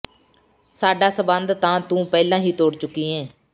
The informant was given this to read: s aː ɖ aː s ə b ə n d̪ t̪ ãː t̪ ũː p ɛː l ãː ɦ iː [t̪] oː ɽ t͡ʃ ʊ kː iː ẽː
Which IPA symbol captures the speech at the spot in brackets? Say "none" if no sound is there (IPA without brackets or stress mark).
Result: t̪